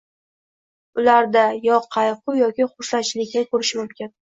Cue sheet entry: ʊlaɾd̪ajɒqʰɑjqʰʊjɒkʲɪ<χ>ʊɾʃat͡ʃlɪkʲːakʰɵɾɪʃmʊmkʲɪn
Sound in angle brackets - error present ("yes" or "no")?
no